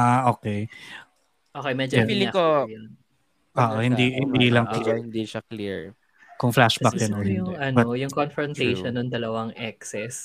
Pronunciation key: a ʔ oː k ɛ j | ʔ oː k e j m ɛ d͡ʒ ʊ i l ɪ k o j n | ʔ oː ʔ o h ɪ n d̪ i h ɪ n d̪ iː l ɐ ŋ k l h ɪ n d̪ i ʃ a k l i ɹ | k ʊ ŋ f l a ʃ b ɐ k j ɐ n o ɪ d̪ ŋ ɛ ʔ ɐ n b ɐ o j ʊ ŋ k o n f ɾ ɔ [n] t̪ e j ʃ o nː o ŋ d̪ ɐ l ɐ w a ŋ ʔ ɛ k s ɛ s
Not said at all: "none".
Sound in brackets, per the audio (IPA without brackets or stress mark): n